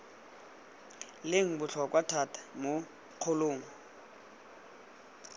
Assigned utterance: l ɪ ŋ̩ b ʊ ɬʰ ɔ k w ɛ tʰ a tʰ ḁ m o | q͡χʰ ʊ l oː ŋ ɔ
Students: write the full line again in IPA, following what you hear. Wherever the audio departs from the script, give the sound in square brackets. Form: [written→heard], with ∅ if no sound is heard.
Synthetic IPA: l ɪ ŋ̩ b ʊ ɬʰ ɔ k w [ɛ→a] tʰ a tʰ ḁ m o | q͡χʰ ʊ l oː ŋ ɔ